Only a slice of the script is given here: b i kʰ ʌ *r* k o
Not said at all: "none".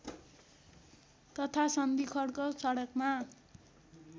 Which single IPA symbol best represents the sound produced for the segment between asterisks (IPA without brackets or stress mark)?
ɽ